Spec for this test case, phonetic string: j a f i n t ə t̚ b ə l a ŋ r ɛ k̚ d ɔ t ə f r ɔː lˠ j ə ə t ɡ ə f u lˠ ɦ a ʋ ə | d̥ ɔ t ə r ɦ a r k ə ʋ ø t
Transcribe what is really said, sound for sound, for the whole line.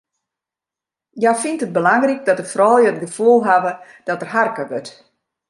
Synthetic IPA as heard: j a f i n t ə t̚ b ə l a ŋ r i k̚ d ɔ t ə f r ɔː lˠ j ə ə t ɡ ə f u lˠ ɦ a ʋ ə | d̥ ɔ t ə r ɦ a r k ə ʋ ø t